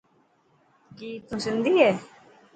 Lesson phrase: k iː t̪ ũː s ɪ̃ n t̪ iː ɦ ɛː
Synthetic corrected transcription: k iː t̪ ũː s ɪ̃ n d̪ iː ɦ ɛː

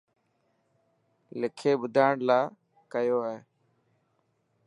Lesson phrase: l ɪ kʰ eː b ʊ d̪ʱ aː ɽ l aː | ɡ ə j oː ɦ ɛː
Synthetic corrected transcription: l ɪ kʰ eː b ʊ d̪ʱ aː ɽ l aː | k ə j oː ɦ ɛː

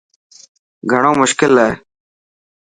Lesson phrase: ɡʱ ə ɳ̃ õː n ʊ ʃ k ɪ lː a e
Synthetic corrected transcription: ɡʱ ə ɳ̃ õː m ʊ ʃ k ɪ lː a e

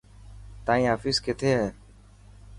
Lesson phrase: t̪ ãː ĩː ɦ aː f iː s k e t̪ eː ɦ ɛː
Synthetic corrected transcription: t̪ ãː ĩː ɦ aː f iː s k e t̪ʰ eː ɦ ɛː

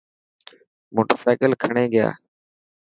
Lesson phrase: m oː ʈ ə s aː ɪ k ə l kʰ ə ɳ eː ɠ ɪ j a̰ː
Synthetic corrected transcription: m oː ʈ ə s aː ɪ k ə l kʰ ə ɳ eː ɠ ɪ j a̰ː

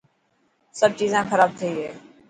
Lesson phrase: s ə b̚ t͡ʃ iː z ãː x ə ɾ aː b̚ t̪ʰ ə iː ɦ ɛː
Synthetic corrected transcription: s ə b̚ t͡ʃ iː z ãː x ə ɾ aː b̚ t̪ʰ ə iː ɦ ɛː

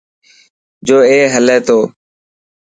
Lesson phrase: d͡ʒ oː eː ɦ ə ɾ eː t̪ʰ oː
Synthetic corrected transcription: d͡ʒ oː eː ɦ ə l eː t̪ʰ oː

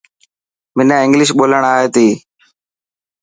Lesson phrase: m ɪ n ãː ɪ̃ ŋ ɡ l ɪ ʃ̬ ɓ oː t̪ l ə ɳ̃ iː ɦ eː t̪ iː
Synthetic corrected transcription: m ɪ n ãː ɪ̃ ŋ ɡ l ɪ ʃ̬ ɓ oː l ə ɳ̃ aː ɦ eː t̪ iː

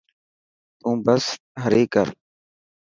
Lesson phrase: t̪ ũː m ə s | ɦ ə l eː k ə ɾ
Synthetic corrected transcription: t̪ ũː b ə s | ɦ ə ɾ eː k ə ɾ

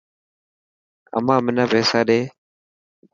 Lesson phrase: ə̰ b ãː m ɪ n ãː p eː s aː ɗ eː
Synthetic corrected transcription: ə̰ m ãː m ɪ n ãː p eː s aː ɗ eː

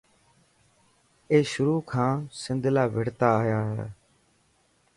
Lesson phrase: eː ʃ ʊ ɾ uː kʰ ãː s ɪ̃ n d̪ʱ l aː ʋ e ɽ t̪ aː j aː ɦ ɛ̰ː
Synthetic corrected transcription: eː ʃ ʊ ɾ uː kʰ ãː s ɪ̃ n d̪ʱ l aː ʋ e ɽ t̪ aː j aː ɦ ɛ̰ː

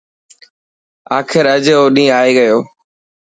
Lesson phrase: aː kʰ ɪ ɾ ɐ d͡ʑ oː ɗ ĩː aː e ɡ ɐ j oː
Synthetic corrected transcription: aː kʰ ɪ ɾ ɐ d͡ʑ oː ɗ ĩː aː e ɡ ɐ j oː

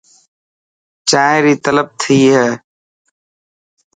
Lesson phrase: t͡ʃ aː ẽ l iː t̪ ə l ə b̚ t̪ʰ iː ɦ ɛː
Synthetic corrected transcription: t͡ʃ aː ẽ ɾ iː t̪ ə l ə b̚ t̪ʰ iː ɦ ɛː

